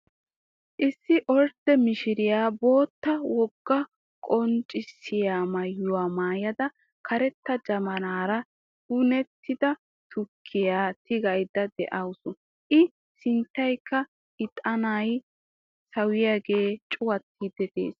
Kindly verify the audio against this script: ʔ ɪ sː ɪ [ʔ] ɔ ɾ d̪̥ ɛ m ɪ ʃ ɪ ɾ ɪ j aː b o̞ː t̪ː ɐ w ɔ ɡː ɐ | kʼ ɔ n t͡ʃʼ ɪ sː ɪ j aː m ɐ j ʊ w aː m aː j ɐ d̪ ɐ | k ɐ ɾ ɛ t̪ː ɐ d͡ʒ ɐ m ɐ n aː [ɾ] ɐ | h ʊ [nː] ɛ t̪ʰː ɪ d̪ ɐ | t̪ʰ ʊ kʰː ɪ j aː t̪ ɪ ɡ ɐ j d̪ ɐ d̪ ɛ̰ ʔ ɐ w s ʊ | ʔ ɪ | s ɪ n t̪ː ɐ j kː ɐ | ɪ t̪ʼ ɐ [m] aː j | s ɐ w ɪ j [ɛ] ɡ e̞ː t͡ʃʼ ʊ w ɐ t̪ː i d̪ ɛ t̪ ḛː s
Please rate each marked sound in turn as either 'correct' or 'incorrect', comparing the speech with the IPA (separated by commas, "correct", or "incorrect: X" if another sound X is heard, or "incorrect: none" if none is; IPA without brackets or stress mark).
correct, correct, incorrect: n, incorrect: n, incorrect: a